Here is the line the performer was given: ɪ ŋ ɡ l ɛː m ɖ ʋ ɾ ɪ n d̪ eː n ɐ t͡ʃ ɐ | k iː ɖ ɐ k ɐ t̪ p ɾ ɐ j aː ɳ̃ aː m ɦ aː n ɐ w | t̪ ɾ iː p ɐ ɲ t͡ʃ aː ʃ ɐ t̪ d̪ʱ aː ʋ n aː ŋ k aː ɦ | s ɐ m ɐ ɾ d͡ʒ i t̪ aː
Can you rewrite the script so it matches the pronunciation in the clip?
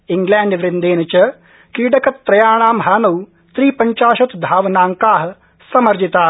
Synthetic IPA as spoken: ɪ ŋ ɡ l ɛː ɳ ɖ ʋ ɾ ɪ n d̪ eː n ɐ t͡ʃ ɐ | k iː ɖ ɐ k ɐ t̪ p ɾ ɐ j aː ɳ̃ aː m ɦ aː n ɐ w | t̪ ɾ iː p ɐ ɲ t͡ʃ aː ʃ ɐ t̪ d̪ʱ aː ʋ n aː ŋ k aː ɦ | s ɐ m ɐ ɾ d͡ʒ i t̪ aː